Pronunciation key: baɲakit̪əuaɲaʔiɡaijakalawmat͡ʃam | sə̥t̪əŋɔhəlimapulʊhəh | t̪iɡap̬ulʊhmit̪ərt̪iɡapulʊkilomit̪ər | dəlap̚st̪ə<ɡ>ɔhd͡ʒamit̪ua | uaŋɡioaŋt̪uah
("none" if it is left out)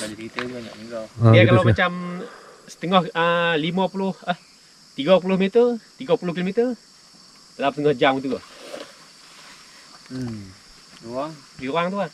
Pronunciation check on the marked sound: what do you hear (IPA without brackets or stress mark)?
ŋ